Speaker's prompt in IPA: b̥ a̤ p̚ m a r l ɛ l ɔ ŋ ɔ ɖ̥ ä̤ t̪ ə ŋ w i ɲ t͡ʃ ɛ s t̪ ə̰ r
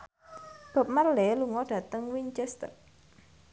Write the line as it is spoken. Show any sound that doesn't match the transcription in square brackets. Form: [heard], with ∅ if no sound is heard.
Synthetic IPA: b̥ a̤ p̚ m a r l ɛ l [u] ŋ ɔ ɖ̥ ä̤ t̪ ə ŋ w i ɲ t͡ʃ ɛ s t̪ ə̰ r